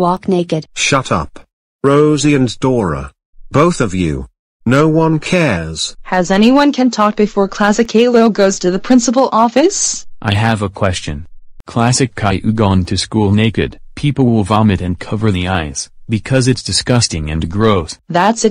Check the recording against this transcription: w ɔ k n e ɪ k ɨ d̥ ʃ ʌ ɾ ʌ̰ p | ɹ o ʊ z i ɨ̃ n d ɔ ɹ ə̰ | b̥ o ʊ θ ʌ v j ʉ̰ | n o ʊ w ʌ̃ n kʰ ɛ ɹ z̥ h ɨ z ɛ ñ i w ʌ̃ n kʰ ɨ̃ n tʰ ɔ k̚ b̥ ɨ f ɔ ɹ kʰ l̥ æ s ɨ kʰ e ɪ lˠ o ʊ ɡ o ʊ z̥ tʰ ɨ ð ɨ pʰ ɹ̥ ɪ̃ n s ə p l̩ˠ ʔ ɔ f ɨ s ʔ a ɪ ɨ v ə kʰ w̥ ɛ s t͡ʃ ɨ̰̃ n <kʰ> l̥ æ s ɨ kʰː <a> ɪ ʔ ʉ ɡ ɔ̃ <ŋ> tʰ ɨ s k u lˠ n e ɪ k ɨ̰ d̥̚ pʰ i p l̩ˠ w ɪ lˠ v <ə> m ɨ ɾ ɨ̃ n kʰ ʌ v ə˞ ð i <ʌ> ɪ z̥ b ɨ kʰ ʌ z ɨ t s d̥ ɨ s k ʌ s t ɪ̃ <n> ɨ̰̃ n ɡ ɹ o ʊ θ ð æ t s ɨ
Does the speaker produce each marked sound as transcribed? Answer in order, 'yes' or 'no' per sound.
yes, yes, no, no, no, no

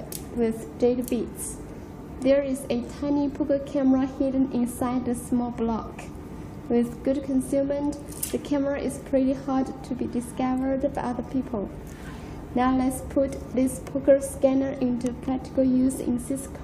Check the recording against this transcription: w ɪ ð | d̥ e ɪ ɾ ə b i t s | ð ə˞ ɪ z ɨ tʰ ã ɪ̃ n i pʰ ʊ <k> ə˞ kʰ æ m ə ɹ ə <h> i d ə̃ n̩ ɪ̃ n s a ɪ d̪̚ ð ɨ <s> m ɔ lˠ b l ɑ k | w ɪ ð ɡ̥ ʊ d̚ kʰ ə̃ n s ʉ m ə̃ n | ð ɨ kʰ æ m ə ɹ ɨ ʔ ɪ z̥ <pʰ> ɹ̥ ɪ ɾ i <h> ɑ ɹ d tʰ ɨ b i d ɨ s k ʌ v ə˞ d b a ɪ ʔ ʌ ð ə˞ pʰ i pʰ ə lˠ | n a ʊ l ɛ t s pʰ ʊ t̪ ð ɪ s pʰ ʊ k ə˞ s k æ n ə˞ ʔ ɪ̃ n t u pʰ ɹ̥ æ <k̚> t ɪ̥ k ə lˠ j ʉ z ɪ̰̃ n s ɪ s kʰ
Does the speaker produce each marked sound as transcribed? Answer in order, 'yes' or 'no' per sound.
yes, yes, yes, yes, yes, yes

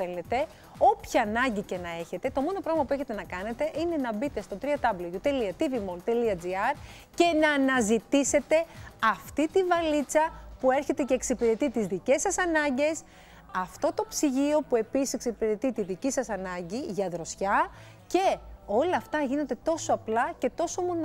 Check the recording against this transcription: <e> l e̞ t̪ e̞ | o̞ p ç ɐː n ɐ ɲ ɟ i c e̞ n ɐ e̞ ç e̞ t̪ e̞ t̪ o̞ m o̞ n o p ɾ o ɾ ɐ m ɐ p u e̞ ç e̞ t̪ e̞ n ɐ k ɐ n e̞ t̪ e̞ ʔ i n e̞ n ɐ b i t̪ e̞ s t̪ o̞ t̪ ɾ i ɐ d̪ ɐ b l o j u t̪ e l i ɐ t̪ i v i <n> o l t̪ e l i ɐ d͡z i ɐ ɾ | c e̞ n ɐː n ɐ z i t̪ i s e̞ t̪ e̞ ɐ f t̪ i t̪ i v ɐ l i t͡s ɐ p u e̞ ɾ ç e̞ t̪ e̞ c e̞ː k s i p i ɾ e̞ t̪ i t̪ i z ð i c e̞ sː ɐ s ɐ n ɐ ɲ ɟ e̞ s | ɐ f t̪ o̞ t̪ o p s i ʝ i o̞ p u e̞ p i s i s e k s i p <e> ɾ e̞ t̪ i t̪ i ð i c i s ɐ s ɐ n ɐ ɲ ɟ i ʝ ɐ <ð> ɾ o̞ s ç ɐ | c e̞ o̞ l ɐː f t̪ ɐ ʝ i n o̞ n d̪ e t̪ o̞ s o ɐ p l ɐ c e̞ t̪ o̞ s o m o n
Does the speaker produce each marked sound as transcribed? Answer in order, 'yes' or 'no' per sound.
yes, no, no, yes

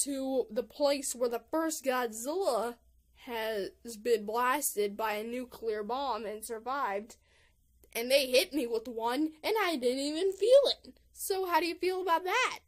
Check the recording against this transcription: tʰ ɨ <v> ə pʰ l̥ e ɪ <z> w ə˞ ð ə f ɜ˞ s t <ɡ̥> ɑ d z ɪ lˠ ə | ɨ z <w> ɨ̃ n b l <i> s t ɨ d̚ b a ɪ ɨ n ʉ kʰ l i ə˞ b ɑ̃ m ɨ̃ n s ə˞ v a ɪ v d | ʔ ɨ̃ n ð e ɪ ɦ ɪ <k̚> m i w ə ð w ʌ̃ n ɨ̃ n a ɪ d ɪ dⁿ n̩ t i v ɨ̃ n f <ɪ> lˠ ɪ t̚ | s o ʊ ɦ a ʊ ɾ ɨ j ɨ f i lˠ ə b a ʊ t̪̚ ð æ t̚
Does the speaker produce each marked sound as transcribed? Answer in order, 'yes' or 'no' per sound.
no, no, yes, no, no, no, no

